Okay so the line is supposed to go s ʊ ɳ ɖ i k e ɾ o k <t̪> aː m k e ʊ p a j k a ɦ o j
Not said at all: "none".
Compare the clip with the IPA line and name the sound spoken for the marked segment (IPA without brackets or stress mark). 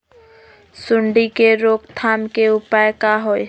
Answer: t̪ʰ